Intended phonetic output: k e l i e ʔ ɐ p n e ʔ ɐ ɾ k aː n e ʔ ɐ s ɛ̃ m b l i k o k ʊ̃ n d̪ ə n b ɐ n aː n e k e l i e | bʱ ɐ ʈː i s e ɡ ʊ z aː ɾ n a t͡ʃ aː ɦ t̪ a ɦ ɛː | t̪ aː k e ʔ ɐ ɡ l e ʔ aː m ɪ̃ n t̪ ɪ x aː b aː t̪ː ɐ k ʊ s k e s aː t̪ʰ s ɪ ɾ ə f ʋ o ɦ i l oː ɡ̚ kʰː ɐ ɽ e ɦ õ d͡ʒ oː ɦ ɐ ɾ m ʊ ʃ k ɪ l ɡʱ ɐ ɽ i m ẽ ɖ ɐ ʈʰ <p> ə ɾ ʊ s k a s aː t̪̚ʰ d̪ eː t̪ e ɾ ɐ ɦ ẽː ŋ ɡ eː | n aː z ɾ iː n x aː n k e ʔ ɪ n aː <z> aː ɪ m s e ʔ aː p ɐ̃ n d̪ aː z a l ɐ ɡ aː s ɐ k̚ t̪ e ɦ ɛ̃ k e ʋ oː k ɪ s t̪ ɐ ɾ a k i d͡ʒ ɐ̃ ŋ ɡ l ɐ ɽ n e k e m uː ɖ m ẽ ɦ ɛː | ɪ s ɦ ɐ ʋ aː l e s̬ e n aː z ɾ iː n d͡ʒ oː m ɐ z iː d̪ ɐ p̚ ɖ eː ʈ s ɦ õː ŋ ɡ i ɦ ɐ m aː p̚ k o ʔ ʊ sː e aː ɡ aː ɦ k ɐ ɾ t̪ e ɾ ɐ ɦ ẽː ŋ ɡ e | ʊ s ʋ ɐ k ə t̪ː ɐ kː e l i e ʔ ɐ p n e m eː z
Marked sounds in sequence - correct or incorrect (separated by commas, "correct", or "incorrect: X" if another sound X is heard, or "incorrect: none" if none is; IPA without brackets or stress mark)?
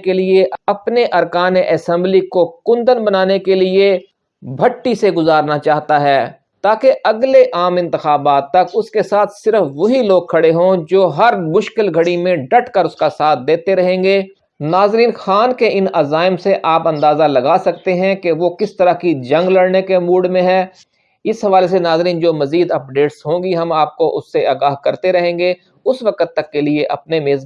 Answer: incorrect: k, correct